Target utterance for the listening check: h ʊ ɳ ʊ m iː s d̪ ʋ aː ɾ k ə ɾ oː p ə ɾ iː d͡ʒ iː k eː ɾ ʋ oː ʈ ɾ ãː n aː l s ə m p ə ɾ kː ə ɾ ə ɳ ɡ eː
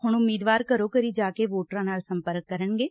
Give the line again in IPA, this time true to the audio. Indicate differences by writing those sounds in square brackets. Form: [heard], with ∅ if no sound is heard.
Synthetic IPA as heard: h ʊ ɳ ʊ m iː [∅] d̪ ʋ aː ɾ k ə ɾ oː [k] ə ɾ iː d͡ʒ [aː] k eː [∅] ʋ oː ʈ ɾ ãː n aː l s ə m p ə ɾ kː ə ɾ ə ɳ ɡ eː